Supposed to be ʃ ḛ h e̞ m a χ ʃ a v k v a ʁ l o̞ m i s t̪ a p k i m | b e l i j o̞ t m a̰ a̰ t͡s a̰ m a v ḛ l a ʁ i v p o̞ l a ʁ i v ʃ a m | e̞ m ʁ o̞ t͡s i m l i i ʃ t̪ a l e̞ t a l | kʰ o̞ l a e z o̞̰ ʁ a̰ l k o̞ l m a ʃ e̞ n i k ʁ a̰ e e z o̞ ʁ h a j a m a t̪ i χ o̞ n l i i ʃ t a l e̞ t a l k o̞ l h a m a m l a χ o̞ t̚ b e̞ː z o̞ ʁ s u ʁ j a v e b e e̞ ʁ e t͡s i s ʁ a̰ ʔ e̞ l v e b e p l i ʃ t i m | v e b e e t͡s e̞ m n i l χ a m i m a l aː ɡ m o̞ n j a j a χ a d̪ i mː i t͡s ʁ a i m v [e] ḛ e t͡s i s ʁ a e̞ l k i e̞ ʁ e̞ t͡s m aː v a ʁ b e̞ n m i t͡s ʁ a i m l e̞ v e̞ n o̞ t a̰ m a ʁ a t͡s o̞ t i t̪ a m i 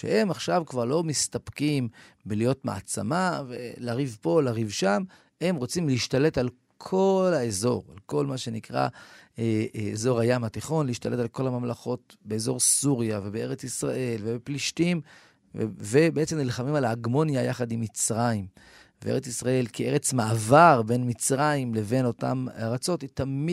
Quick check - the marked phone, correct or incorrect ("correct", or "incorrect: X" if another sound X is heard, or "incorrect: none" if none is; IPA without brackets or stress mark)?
correct